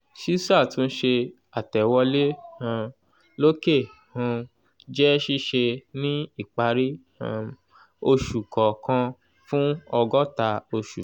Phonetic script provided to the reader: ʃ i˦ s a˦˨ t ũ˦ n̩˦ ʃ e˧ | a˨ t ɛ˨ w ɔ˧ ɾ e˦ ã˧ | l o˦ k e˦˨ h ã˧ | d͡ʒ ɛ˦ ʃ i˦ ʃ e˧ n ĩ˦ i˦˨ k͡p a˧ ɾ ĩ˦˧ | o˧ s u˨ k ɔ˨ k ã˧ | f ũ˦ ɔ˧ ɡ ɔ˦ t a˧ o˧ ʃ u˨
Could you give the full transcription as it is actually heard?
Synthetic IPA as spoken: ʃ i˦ s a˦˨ t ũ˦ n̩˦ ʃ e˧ | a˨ t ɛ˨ w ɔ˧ l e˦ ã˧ | l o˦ k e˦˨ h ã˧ | d͡ʒ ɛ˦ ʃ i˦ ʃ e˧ n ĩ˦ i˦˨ k͡p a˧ ɾ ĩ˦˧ | o˧ ʃ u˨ k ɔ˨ k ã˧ | f ũ˦ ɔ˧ ɡ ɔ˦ t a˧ o˧ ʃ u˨